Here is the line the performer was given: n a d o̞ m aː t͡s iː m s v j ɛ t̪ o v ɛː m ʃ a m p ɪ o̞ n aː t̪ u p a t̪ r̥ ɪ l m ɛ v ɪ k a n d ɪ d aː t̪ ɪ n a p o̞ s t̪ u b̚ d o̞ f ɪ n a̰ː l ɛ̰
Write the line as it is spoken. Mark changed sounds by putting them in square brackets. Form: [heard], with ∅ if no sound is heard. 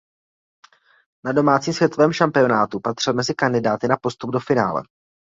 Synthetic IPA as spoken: n a d o̞ m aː t͡s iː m s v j ɛ t̪ o v ɛː m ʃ a m p ɪ o̞ n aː t̪ u p a t̪ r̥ ɪ l m ɛ [z] ɪ k a n d ɪ d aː t̪ ɪ n a p o̞ s t̪ u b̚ d o̞ f ɪ n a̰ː l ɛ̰